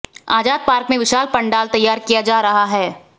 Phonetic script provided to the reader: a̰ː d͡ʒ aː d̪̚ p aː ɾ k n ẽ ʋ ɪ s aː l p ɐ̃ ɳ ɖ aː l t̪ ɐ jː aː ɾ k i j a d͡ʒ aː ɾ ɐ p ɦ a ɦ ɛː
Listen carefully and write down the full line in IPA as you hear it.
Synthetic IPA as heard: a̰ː d͡ʒ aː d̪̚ p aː ɾ k m ẽ ʋ ɪ ʃ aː l p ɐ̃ ɳ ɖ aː l t̪ ɐ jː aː ɾ k i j a d͡ʒ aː ɾ ɐ ɦ a ɦ ɛː